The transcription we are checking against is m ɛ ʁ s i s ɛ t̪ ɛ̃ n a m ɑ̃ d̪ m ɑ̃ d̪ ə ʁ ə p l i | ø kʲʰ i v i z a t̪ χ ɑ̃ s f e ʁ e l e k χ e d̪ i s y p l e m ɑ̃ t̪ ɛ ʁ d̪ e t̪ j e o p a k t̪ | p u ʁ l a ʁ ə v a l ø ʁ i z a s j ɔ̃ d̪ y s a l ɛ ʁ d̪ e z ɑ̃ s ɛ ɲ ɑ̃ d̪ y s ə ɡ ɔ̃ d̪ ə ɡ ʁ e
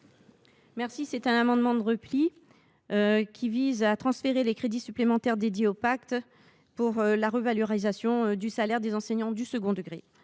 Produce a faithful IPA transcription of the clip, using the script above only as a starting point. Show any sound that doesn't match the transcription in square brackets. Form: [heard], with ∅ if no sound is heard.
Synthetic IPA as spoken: m ɛ ʁ s i s ɛ t̪ ɛ̃ n a m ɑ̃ d̪ m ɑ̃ d̪ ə ʁ ə p l i | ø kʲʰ i v i z a t̪ χ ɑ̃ s f e ʁ e l e k χ e d̪ i s y p l e m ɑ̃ t̪ ɛ ʁ d̪ e [d̪] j e o p a k t̪ | p u ʁ l a ʁ ə v a l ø ʁ i z a s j ɔ̃ d̪ y s a l ɛ ʁ d̪ e z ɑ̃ s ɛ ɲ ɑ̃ d̪ y s ə ɡ ɔ̃ d̪ ə ɡ ʁ e